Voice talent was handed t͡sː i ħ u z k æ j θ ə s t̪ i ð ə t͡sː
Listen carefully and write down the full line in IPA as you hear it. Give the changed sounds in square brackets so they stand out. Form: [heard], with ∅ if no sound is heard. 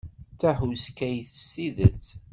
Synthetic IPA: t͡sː [æ] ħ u [s] k æ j θ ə s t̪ i ð ə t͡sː